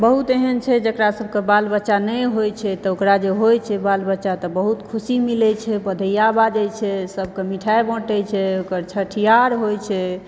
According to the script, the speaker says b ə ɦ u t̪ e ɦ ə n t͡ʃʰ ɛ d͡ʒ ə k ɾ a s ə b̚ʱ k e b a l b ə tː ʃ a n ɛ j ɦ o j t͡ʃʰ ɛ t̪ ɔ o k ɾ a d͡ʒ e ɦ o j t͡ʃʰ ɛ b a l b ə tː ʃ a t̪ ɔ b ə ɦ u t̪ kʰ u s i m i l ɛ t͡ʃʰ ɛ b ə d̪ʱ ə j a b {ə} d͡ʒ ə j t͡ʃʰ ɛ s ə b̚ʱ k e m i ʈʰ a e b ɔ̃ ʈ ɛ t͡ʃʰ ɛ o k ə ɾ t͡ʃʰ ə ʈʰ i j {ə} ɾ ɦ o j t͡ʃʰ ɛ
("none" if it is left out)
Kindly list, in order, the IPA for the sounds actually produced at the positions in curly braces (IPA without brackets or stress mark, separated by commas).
a, a